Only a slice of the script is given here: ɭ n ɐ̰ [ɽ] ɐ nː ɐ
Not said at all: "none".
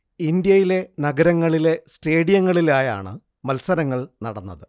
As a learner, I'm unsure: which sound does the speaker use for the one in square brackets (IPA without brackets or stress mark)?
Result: ɽ